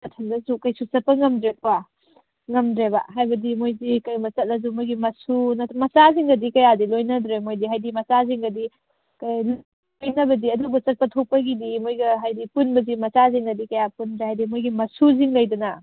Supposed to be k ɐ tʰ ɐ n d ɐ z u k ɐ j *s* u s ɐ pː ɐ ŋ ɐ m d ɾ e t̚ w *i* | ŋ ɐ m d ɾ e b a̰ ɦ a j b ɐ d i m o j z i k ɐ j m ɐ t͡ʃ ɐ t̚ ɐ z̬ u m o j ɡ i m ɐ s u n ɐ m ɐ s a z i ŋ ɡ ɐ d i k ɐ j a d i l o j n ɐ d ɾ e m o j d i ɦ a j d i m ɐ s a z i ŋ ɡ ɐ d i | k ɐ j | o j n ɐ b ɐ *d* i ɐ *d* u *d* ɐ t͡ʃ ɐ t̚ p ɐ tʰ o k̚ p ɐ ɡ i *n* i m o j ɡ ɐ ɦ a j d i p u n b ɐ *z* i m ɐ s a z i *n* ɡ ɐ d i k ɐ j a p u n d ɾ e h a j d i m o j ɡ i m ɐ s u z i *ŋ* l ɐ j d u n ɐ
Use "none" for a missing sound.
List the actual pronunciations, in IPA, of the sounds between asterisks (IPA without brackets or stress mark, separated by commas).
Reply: s, a, d, d, b, d, z, ŋ, ŋ